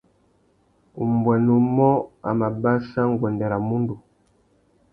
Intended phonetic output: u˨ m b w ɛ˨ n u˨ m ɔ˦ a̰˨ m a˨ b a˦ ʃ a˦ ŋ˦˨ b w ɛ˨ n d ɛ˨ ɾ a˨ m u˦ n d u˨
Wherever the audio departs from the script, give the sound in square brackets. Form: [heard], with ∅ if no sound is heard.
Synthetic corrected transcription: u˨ m b w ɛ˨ n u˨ m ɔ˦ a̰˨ m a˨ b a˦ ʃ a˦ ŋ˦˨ [ɡ] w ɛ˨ n d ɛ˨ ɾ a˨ m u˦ n d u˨